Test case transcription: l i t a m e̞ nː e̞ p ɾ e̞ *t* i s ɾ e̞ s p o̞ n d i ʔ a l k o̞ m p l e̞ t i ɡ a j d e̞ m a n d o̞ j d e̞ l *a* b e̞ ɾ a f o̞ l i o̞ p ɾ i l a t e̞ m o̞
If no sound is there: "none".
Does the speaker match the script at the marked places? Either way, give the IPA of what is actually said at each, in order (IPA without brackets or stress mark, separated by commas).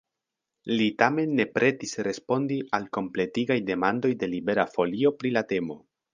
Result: t, i